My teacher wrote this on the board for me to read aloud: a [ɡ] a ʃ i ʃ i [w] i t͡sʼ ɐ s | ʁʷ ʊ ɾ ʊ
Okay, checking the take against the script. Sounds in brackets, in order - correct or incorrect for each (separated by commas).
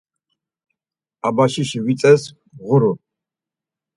incorrect, correct